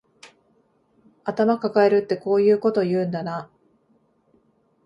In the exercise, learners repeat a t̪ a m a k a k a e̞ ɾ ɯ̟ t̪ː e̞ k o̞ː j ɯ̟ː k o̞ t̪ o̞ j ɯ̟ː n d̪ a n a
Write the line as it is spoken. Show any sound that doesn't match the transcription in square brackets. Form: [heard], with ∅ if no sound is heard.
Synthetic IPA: a t̪ a m a k a k a e̞ ɾ ɯ̟ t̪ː e̞ k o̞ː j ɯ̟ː k o̞ t̪ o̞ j ɯ̟ː n d̪ a n a